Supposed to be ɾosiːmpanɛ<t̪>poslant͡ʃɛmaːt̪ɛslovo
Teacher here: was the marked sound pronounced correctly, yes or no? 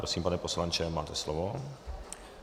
no